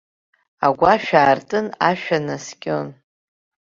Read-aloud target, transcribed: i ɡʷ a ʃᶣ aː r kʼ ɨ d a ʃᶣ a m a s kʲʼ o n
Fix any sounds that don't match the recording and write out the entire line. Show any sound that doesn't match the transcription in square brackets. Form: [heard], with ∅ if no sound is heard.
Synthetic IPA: [a] ɡʷ a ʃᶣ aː r [tʼ] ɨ [n] a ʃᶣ a [n] a s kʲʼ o n